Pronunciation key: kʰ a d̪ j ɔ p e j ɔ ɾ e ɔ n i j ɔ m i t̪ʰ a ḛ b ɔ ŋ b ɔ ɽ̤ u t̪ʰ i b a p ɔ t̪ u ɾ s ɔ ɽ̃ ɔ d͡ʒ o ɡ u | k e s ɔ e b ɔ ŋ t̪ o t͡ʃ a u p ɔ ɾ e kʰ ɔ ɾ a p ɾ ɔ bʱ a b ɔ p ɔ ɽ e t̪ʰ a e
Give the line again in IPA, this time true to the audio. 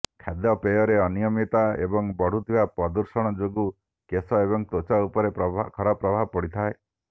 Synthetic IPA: kʰ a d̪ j ɔ p e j ɔ ɾ e ɔ n i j ɔ m i t̪ a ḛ b ɔ ŋ b ɔ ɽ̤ u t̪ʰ i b a p ɔ d̪ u ɾ s ɔ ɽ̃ ɔ d͡ʒ o ɡ u | k e s ɔ e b ɔ ŋ t̪ o t͡ʃ a u p ɔ ɾ e kʰ ɔ ɾ a p ɾ ɔ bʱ a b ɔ p ɔ ɽ i t̪ʰ a e